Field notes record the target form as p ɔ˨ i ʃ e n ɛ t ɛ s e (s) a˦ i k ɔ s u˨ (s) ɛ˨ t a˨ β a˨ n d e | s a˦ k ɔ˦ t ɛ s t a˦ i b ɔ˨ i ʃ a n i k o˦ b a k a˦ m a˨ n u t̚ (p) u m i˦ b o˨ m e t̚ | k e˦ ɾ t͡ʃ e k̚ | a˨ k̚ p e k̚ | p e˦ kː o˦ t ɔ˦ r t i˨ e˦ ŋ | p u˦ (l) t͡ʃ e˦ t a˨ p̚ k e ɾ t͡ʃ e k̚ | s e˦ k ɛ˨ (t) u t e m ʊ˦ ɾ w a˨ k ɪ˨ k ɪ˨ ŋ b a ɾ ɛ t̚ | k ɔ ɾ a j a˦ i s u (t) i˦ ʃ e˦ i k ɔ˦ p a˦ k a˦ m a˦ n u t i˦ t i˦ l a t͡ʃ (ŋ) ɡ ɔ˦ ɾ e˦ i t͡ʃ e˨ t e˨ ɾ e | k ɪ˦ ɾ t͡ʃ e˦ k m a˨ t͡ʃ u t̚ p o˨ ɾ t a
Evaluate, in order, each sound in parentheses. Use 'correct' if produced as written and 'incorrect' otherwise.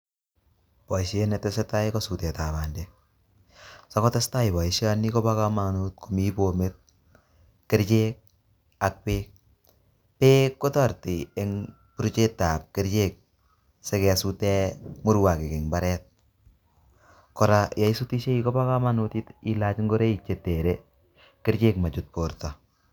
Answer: incorrect, incorrect, incorrect, incorrect, incorrect, correct, correct

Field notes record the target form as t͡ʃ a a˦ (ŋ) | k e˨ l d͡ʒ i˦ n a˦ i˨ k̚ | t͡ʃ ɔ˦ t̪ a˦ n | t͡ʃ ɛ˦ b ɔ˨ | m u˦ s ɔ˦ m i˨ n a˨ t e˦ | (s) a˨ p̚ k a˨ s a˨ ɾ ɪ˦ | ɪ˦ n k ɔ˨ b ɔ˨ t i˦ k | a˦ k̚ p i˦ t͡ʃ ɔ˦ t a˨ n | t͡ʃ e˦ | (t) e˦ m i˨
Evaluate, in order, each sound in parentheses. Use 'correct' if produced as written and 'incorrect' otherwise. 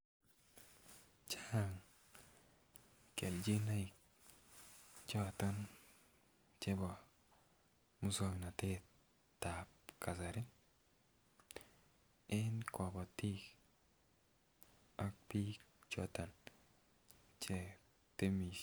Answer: correct, incorrect, correct

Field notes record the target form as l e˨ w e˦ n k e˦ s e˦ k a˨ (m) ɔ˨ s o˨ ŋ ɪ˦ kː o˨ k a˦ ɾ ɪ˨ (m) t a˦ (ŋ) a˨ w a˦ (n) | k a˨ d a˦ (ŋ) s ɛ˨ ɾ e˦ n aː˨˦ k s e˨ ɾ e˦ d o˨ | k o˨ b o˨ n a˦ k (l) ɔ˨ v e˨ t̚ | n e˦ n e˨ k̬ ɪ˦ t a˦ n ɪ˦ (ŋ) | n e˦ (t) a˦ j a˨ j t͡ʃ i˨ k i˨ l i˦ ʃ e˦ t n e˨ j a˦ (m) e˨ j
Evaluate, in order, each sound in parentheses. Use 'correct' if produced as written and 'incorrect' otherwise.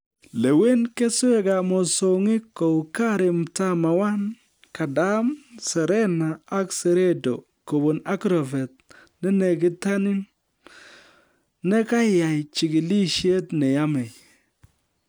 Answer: correct, correct, incorrect, correct, incorrect, incorrect, incorrect, incorrect, correct

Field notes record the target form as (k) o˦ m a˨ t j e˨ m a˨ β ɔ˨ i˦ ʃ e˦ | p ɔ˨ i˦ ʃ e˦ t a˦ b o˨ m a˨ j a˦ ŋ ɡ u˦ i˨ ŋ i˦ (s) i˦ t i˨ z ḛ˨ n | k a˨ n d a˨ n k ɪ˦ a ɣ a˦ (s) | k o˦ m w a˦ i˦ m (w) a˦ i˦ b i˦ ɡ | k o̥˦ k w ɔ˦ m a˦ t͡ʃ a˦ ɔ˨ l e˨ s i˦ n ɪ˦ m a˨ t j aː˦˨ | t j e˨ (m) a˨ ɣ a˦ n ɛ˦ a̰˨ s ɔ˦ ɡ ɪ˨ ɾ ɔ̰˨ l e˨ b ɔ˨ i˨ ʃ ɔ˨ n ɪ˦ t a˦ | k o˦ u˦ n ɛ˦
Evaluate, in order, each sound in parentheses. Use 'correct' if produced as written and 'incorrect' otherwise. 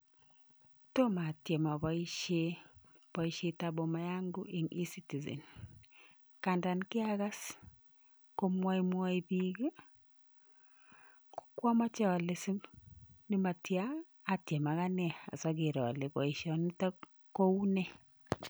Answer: incorrect, correct, correct, correct, correct

